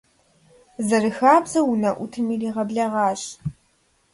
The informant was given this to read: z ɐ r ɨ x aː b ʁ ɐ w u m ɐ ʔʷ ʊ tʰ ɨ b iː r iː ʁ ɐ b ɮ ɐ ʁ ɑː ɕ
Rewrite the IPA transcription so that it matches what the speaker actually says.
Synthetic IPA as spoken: z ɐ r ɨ x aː b z ɐ w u n ɐ ʔʷ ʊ tʰ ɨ m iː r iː ʁ ɐ b ɮ ɐ ʁ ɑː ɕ